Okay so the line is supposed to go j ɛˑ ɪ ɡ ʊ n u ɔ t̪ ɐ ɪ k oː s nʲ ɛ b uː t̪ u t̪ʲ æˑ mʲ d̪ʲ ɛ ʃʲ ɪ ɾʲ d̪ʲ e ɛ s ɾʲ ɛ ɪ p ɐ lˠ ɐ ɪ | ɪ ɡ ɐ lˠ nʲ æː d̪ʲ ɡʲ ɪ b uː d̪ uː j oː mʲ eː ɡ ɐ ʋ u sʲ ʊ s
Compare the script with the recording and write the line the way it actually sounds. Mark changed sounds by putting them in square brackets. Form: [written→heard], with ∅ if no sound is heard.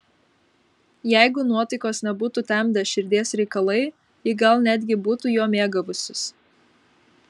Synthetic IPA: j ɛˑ ɪ ɡ ʊ n u ɔ t̪ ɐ ɪ k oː s nʲ ɛ b uː t̪ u t̪ʲ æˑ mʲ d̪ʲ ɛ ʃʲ ɪ ɾʲ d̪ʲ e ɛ s ɾʲ ɛ ɪ [p→k] ɐ lˠ ɐ ɪ | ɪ ɡ ɐ lˠ nʲ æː d̪ʲ ɡʲ ɪ b uː [d̪→t̪] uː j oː mʲ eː ɡ ɐ ʋ [u→ʊ] sʲ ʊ s